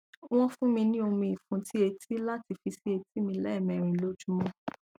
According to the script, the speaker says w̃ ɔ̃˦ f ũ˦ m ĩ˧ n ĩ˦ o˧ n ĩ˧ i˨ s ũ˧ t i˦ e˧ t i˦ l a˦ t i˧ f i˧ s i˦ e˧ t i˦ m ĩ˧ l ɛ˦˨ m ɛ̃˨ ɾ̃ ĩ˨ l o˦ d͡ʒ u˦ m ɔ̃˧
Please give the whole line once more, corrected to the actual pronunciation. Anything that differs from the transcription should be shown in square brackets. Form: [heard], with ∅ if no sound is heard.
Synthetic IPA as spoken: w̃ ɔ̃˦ f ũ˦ m ĩ˧ n ĩ˦ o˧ [m] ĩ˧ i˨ [f] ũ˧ t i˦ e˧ t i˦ l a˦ t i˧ f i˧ s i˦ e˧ t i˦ m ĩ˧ l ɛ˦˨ m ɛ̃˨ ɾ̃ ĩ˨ l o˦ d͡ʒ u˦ m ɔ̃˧

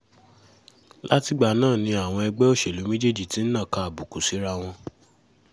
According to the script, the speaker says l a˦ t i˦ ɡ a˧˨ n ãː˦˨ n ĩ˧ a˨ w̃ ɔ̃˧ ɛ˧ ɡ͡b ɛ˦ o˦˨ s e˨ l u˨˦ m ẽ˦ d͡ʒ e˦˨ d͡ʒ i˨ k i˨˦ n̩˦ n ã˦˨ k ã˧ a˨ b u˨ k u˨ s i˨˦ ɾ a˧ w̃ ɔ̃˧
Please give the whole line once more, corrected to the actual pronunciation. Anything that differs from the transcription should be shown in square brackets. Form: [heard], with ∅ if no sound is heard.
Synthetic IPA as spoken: l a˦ t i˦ [ɡ͡b] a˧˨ n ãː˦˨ n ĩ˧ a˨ w̃ ɔ̃˧ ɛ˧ ɡ͡b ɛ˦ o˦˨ [ʃ] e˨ l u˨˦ m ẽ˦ d͡ʒ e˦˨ d͡ʒ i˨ [t] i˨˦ n̩˦ n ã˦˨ k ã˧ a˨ b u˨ k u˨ s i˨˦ ɾ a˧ w̃ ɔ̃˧

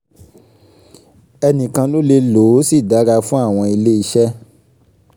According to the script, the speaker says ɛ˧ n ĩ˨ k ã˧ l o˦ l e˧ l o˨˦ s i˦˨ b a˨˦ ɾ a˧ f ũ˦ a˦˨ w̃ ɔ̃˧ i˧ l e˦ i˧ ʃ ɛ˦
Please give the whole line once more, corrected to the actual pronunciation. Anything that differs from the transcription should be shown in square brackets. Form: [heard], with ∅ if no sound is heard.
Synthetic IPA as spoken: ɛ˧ n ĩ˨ k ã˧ l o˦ l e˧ l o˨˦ s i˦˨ [d] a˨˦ ɾ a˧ f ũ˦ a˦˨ w̃ ɔ̃˧ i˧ l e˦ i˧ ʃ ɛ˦

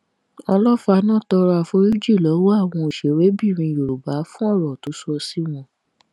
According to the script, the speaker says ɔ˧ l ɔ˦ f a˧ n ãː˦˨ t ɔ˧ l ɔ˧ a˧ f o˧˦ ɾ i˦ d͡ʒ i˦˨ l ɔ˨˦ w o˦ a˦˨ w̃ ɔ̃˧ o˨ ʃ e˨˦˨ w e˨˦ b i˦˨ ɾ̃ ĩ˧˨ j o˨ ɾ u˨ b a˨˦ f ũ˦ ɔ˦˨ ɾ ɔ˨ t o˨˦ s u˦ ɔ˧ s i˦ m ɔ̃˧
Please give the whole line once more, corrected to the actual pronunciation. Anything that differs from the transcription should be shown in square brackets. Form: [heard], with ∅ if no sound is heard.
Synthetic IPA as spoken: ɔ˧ l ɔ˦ f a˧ n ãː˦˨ t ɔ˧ [ɾ] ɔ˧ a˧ f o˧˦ ɾ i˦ d͡ʒ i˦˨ l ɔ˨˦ w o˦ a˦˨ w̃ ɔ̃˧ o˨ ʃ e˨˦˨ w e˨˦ b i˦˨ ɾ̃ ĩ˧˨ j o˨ ɾ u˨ b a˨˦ f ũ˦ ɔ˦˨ ɾ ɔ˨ t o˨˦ s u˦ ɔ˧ s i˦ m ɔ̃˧

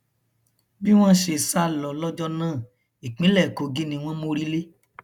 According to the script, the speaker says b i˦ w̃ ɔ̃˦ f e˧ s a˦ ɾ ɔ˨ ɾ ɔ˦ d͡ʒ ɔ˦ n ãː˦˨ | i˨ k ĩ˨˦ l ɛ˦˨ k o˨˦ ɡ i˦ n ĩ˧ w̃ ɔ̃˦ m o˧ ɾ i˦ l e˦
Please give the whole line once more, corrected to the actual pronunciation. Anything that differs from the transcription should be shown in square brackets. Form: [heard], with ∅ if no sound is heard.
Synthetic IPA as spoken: b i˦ w̃ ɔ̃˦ [ʃ] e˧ s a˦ [l] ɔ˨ [l] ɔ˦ d͡ʒ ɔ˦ n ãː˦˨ | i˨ [k͡p] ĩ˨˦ l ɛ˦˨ k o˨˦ ɡ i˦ n ĩ˧ w̃ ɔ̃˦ m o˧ ɾ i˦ l e˦

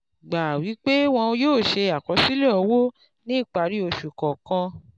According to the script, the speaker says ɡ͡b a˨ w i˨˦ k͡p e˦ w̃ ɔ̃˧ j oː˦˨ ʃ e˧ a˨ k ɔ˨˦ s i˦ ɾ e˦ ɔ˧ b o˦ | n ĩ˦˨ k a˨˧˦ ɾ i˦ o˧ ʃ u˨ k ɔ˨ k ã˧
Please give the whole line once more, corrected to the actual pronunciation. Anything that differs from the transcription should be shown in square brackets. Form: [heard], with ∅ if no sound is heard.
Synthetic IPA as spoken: ɡ͡b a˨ w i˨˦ k͡p e˦ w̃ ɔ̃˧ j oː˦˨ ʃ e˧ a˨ k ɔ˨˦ s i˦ [l] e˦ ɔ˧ [w] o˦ | n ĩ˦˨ [k͡p] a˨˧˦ ɾ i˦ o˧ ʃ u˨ k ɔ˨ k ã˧

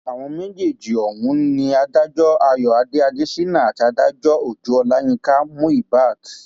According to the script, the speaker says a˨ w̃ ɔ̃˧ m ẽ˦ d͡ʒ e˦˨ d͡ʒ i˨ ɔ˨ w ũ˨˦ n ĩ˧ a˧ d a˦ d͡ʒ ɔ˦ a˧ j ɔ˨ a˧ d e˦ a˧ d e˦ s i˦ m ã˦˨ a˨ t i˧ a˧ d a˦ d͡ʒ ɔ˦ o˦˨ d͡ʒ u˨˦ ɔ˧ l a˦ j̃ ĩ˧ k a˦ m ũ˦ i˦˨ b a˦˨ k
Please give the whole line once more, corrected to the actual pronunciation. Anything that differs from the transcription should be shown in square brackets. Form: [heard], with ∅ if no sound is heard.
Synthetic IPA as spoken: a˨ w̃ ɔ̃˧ m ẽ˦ d͡ʒ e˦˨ d͡ʒ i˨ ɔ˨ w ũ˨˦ n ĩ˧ a˧ d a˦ d͡ʒ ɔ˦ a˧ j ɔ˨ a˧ d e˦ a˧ d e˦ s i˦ [n] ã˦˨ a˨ t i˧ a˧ d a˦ d͡ʒ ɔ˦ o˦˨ d͡ʒ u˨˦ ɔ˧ l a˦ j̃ ĩ˧ k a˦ m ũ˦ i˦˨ b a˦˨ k

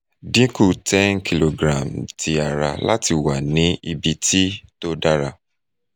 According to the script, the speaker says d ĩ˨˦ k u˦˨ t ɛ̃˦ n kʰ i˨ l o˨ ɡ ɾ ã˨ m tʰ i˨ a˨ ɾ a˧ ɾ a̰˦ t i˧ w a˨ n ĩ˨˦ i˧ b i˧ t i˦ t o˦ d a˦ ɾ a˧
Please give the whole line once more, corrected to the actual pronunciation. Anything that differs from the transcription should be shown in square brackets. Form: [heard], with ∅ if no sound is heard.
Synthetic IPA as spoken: d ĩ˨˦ k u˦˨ t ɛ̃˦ n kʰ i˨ l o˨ ɡ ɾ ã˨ m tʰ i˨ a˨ ɾ a˧ [l] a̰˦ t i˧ w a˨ n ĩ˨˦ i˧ b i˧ t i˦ t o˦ d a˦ ɾ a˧

